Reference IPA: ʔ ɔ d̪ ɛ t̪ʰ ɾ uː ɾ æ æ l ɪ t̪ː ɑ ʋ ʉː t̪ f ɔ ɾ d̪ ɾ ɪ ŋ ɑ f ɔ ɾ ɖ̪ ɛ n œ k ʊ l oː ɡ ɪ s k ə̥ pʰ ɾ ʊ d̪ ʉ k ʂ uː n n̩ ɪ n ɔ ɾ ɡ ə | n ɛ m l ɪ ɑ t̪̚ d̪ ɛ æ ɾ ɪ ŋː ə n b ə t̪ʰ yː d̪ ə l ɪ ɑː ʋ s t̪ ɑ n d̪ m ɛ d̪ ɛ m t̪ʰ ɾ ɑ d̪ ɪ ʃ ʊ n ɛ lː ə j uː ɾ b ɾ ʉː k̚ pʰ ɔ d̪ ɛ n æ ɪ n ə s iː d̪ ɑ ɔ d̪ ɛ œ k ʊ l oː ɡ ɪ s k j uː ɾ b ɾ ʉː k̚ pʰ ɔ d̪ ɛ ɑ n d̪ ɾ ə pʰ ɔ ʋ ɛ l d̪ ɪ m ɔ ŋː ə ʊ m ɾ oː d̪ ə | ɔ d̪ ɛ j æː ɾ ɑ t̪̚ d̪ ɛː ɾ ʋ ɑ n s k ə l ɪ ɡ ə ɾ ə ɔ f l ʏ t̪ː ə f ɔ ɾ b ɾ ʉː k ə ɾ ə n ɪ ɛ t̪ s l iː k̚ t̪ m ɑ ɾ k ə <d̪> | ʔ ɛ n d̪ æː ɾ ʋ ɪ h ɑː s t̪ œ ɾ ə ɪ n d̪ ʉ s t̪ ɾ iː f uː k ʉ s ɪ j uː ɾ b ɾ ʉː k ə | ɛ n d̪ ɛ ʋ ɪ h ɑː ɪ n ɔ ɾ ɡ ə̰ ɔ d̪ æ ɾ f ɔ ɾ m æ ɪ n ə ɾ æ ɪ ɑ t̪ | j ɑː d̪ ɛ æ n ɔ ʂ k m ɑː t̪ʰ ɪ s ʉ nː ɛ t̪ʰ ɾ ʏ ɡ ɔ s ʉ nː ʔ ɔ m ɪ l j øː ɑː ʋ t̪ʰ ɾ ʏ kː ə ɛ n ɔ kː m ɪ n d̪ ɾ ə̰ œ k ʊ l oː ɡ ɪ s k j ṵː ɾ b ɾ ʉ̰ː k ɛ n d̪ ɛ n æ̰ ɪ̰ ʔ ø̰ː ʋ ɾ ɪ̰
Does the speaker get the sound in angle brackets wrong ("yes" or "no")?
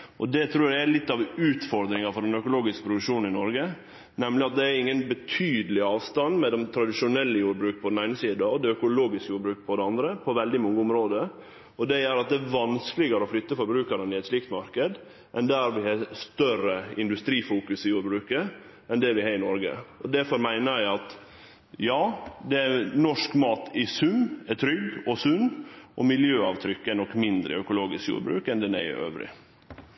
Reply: no